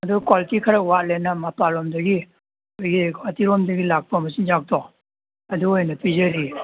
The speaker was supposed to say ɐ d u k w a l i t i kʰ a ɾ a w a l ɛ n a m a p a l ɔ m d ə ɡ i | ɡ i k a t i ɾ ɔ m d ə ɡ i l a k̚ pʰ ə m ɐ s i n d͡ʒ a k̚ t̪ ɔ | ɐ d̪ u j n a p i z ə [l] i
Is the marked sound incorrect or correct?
incorrect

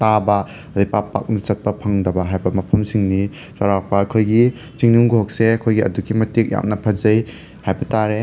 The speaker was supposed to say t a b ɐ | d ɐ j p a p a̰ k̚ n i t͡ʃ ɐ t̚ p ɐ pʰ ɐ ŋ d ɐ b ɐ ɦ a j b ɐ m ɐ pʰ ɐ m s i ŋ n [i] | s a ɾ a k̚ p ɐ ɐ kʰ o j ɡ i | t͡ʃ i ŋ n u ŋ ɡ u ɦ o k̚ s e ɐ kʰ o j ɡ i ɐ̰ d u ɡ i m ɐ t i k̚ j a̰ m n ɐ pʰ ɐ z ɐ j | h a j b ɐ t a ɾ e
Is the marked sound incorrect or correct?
correct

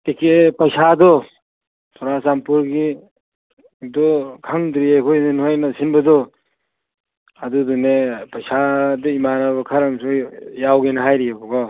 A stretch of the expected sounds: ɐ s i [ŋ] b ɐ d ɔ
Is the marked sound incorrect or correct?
incorrect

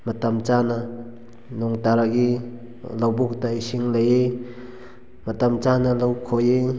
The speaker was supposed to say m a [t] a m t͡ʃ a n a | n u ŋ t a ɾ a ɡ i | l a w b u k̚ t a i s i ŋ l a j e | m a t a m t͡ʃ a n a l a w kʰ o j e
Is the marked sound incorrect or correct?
correct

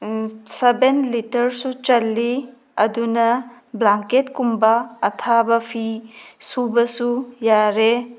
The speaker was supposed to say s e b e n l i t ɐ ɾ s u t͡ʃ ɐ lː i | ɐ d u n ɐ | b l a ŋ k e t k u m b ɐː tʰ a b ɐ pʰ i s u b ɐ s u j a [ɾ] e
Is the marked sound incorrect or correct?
correct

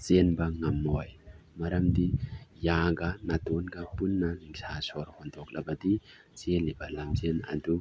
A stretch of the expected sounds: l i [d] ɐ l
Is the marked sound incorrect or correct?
incorrect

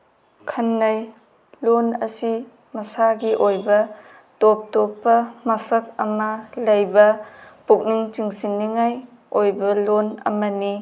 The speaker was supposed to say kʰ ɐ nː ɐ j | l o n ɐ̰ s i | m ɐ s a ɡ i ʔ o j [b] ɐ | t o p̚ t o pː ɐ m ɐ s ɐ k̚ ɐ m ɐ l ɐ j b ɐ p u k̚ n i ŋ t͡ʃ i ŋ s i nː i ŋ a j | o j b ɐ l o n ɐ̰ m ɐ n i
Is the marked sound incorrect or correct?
correct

